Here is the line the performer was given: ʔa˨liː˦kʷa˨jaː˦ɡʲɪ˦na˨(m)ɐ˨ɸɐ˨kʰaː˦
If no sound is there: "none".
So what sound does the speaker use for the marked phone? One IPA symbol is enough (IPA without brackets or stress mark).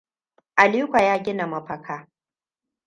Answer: m